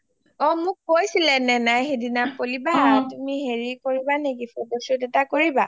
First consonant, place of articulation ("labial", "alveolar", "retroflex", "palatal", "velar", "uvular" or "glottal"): labial